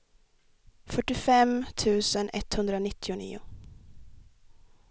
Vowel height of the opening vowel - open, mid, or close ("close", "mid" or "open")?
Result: mid